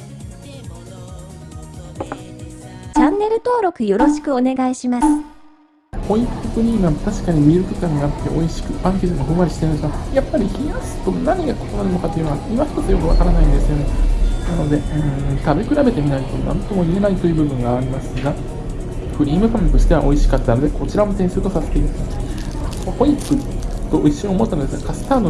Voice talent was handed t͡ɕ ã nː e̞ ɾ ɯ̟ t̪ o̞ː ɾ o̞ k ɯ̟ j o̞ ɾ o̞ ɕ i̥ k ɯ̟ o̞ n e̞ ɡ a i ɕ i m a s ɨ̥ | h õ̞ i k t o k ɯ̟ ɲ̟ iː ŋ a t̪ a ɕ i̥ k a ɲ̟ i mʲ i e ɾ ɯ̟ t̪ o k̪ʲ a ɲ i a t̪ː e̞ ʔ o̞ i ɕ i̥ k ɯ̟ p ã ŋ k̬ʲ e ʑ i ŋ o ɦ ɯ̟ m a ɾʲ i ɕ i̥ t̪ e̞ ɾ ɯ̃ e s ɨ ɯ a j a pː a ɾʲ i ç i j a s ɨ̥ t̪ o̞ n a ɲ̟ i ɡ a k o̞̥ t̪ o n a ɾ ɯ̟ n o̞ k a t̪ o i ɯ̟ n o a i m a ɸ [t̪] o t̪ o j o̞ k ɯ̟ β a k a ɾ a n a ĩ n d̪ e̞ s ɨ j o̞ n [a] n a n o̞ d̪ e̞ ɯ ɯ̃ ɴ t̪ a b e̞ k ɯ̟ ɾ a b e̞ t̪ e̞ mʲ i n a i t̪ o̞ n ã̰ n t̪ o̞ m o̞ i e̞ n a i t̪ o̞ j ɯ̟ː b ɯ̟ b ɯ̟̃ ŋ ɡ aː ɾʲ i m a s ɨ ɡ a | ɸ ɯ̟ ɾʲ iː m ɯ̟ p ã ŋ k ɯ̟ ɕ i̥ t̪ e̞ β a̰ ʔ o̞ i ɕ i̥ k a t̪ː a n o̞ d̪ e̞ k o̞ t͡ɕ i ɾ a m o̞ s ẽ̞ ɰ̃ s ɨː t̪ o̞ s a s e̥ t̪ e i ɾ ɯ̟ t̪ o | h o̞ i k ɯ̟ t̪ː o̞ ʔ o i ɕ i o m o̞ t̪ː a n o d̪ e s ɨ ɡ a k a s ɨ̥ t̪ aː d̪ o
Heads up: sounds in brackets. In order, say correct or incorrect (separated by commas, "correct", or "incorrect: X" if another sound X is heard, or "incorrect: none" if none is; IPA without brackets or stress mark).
correct, incorrect: e